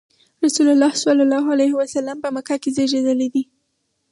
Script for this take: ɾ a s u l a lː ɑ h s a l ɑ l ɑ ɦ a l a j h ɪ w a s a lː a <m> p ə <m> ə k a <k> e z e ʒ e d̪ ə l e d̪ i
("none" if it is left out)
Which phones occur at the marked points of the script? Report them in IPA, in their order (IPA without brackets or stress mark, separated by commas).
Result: m, m, k